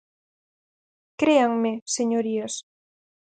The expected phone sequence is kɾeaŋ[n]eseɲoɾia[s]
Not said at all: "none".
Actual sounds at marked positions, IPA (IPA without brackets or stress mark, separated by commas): m, s